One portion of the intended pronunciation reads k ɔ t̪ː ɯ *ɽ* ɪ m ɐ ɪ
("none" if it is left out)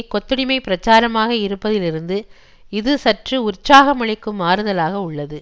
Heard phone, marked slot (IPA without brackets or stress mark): ɽ